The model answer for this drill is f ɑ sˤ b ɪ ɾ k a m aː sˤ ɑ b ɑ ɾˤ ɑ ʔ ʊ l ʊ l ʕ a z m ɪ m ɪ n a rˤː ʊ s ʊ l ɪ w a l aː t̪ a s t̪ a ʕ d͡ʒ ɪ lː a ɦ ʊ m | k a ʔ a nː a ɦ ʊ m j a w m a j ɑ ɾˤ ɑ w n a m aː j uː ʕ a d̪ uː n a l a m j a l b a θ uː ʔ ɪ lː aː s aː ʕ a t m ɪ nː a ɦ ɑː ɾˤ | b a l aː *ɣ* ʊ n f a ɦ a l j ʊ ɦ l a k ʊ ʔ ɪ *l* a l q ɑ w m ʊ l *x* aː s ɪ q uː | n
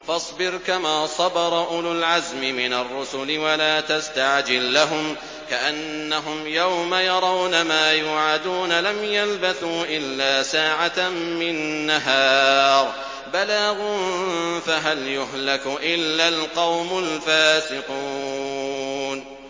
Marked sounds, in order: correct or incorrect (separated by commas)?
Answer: correct, incorrect, incorrect